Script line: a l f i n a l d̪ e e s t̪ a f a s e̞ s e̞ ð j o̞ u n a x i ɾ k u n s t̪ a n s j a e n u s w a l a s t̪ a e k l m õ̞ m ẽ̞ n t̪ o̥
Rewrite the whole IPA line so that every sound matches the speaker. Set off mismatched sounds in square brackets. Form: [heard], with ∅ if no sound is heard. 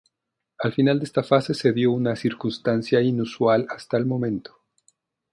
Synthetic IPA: a l f i n a l d̪ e e s t̪ a f a s e̞ s e̞ ð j o̞ u n a [s] i ɾ k u n s t̪ a n s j a [i] n u s w a l a s t̪ a e [∅] l m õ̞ m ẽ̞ n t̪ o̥